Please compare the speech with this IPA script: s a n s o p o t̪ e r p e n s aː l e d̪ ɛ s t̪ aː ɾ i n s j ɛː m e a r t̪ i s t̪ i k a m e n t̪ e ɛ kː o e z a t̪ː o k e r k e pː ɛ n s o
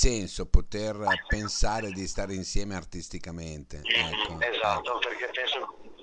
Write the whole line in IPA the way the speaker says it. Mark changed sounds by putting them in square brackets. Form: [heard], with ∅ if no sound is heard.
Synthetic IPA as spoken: s [ɛ] n s o p o t̪ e r p e n s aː [ɾ] e d̪ [i] s t̪ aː ɾ i n s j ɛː m e a r t̪ i s t̪ i k a m e n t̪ e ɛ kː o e z a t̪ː o [p] e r k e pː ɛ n s o